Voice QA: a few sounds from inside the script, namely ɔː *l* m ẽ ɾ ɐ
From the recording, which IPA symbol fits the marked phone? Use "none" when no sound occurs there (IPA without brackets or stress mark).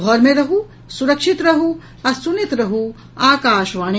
ɾ